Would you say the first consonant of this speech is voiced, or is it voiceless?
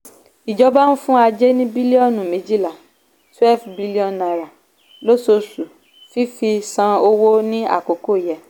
voiced